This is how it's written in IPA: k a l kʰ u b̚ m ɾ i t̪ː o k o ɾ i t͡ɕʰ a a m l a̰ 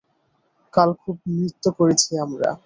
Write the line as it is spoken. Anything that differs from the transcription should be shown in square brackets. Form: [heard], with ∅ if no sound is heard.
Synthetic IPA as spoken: k a l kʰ u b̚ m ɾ i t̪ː o k o ɾ [e] t͡ɕʰ [i] a m [ɾ] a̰

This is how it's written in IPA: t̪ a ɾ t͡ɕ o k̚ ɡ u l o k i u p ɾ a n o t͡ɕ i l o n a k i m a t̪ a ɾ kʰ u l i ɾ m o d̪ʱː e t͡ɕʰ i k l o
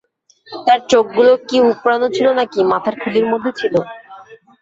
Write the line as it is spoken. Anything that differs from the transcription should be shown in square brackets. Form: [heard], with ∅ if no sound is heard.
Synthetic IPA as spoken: t̪ a ɾ t͡ɕ o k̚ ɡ u l o k i u p ɾ a n o [t͡ɕʰ] i l o n a k i m a [t̪ʰ] a ɾ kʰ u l i ɾ m o d̪ʱː e t͡ɕʰ i [∅] l o

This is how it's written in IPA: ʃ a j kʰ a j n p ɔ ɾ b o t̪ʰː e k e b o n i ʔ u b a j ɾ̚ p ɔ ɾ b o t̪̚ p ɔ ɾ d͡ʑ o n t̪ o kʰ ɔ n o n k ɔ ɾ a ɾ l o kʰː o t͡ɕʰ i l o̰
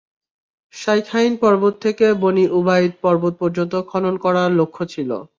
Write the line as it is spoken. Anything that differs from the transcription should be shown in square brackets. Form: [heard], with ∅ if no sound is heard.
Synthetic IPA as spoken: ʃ a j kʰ a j n p ɔ ɾ b o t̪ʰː e k e b o n i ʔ u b a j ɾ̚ p ɔ ɾ b o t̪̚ p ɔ ɾ d͡ʑ o n t̪ o kʰ ɔ n o n k ɔ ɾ a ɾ l o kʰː o t͡ɕʰ i l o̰

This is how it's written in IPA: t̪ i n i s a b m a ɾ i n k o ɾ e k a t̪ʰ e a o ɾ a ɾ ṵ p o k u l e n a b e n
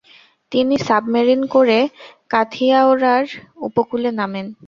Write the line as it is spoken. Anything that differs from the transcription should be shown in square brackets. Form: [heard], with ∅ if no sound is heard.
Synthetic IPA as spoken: t̪ i n i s a b m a ɾ i n k o ɾ e k a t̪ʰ [i] a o ɾ a ɾ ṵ p o k u l e n a [m] e n

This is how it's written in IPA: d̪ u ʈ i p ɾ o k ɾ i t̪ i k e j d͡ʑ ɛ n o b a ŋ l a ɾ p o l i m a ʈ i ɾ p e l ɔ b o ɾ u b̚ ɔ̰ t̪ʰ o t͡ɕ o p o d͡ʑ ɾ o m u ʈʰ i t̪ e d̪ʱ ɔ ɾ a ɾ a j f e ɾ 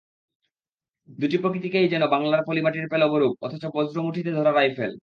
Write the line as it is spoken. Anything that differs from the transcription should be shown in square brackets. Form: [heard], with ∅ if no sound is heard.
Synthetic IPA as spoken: d̪ u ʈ i p ɾ o k ɾ i t̪ i k e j d͡ʑ ɛ n o b a ŋ l a ɾ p o l i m a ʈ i ɾ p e l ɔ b o ɾ u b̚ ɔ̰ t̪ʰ o t͡ɕ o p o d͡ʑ ɾ o m u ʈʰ i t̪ e d̪ʱ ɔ ɾ a ɾ a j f e [l]

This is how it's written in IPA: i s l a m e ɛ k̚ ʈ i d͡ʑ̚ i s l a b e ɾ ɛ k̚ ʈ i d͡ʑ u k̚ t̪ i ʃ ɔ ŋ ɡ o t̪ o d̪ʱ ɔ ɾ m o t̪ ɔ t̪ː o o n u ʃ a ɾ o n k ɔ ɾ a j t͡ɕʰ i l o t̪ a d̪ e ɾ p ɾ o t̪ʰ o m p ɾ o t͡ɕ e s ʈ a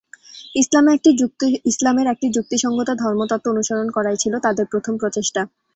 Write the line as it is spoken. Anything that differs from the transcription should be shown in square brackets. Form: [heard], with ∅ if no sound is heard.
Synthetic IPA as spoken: i s l a m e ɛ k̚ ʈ i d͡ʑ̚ i s l a [m] e ɾ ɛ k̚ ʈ i d͡ʑ u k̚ t̪ i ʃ ɔ ŋ ɡ o t̪ o d̪ʱ ɔ ɾ m o t̪ ɔ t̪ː o o n u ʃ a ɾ o n k ɔ ɾ a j t͡ɕʰ i l o t̪ a d̪ e ɾ p ɾ o t̪ʰ o m p ɾ o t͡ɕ e [ʃ] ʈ a

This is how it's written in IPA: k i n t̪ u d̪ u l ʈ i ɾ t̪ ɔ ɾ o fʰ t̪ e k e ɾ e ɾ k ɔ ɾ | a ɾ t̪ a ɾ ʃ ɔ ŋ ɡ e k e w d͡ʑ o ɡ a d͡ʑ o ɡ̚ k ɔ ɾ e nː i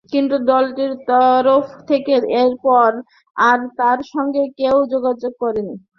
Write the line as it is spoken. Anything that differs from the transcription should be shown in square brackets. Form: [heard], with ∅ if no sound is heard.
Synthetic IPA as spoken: k i n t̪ u d̪ [ɔ] l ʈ i ɾ t̪ ɔ ɾ o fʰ [t̪ʰ] e k e ɾ e ɾ [p] ɔ ɾ | a ɾ t̪ a ɾ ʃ ɔ ŋ ɡ e k e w d͡ʑ o ɡ a d͡ʑ o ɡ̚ k ɔ ɾ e [n] i

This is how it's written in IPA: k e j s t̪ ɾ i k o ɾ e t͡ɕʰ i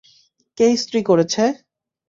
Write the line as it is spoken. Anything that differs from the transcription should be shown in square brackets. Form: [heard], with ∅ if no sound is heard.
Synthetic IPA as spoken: k e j s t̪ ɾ i k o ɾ e t͡ɕʰ [e]

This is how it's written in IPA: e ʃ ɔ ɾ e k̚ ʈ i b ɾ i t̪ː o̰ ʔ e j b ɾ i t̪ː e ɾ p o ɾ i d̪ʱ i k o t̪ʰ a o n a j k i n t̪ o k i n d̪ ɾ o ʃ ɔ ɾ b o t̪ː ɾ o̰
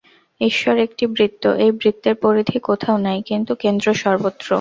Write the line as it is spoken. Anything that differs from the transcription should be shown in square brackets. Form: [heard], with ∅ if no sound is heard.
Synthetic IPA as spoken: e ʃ ɔ ɾ e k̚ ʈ i b ɾ i t̪ː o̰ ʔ e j b ɾ i t̪ː e ɾ p o ɾ i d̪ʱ i k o t̪ʰ a o n a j k i n t̪ [u] k [e] n d̪ ɾ o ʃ ɔ ɾ b o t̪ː ɾ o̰

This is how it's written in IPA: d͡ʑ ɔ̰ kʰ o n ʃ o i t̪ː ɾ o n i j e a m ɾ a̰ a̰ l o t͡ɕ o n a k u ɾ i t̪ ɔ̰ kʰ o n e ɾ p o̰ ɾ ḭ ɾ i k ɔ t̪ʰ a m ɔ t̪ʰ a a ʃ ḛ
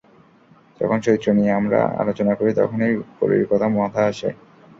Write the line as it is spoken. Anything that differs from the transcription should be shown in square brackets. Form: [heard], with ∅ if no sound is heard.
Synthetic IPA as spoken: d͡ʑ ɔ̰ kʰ o n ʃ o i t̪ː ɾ o n i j e a m ɾ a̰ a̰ l o t͡ɕ o n a k [o] ɾ i t̪ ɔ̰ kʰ o n e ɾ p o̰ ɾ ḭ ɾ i k ɔ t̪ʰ a m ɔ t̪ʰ a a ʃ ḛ

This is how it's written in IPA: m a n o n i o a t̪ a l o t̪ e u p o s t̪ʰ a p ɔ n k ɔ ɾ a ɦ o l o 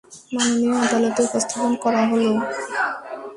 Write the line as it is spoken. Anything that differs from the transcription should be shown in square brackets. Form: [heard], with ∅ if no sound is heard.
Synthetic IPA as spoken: m a n o n i o a [d̪] a l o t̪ e u p o s t̪ʰ a p [o] n k ɔ ɾ a ɦ o l o

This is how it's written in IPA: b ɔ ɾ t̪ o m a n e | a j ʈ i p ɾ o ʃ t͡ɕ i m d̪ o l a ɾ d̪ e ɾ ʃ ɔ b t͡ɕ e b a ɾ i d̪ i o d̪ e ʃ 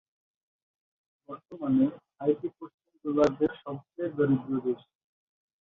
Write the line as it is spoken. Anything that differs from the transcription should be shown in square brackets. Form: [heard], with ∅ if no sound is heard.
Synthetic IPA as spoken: b ɔ ɾ t̪ o m a n e | a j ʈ i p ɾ o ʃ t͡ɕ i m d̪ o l a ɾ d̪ e ɾ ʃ ɔ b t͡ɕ e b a ɾ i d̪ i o d̪ e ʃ

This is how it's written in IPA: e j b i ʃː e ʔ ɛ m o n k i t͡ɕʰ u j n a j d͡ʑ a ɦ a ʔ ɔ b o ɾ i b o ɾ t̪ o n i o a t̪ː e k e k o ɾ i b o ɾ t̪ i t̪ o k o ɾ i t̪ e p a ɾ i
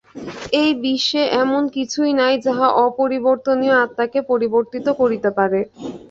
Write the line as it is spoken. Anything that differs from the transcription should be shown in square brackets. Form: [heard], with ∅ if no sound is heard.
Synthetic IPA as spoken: e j b i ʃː e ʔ ɛ m o n k i t͡ɕʰ u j n a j d͡ʑ a ɦ a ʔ ɔ [p] o ɾ i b o ɾ t̪ o n i o a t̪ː [a] k e [p] o ɾ i b o ɾ t̪ i t̪ o k o ɾ i t̪ e p a ɾ [e]

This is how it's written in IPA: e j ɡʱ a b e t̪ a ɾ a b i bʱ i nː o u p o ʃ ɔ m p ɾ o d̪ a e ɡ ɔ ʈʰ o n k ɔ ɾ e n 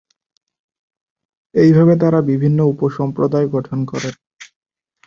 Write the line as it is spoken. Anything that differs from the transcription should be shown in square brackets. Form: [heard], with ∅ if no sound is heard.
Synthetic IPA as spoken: e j [bʱ] a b e t̪ a ɾ a b i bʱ i nː o u p o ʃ ɔ m p ɾ o d̪ a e ɡ ɔ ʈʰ o n k ɔ ɾ e n

